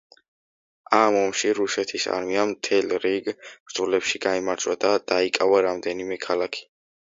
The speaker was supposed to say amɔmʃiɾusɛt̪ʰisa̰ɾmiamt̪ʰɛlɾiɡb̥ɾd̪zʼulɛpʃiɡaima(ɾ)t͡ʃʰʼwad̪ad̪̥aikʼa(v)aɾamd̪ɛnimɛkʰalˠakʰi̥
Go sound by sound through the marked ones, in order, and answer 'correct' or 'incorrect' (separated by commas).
correct, correct